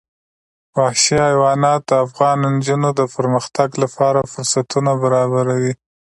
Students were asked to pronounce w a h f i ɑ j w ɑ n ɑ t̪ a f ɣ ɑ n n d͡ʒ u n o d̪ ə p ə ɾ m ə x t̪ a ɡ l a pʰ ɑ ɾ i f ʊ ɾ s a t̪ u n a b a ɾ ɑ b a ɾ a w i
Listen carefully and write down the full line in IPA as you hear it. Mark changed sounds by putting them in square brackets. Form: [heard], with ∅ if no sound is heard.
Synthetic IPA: w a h [ʃ] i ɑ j w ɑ n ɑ t̪ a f ɣ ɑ n n d͡ʒ u n o d̪ ə p ə ɾ m ə x t̪ a ɡ l a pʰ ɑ ɾ [a] f ʊ ɾ s a t̪ u n a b a ɾ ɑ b a ɾ a w i